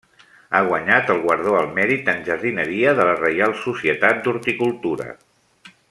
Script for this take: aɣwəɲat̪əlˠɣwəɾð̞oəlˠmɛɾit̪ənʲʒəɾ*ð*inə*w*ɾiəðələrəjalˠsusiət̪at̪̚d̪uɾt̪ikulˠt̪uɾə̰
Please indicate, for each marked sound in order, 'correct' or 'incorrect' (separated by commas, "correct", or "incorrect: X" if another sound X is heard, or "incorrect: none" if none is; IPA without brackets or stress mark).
correct, incorrect: none